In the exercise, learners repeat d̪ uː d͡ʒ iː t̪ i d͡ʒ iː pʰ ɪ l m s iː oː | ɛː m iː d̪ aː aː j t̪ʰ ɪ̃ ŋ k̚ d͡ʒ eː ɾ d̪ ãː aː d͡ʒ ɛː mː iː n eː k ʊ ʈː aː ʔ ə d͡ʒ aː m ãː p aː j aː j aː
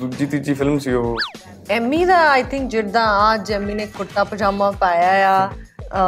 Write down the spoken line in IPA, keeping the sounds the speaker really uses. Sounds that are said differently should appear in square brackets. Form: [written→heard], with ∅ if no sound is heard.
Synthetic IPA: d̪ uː d͡ʒ iː t̪ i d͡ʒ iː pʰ ɪ l m s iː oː | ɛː m iː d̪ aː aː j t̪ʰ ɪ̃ ŋ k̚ d͡ʒ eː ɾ d̪ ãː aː d͡ʒ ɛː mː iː n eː k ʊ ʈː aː [ʔ→p] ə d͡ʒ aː m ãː p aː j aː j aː